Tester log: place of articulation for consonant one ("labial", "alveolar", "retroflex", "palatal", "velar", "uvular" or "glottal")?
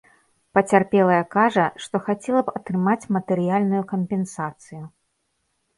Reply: labial